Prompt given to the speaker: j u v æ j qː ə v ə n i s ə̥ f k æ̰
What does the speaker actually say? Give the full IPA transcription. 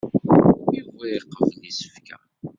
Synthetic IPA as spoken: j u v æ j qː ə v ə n i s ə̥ f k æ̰

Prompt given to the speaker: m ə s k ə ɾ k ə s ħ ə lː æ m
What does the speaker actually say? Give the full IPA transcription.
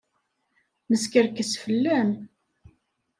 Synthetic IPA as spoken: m ə s k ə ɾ k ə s f ə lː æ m

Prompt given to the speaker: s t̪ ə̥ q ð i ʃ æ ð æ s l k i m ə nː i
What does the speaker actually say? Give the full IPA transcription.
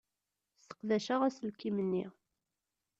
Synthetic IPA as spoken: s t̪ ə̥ q ð æ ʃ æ ʁ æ s l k i m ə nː i

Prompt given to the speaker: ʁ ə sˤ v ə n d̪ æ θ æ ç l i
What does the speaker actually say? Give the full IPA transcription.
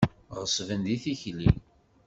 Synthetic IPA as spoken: ʁ ə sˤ v ə n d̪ i θ i ç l i

